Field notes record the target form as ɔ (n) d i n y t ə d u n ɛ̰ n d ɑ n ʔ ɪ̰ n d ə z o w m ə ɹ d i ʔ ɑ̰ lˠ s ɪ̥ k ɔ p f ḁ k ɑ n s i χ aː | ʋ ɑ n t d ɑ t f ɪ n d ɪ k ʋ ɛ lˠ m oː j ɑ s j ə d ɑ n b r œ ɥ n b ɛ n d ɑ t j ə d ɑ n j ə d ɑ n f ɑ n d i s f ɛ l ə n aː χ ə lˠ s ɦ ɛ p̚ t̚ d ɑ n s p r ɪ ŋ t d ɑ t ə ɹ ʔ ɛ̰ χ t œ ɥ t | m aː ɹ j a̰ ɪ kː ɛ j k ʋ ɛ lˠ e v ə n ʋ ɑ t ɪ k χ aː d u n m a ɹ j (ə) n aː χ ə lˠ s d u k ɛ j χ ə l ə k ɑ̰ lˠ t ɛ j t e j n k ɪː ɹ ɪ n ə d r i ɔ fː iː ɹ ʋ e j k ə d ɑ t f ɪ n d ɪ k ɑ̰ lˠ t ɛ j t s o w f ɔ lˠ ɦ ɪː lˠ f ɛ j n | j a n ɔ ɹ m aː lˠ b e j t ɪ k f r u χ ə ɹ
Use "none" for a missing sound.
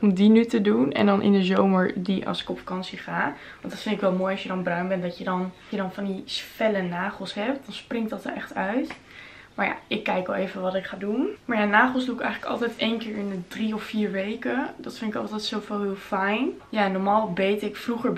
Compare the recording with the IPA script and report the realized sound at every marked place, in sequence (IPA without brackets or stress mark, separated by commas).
m, a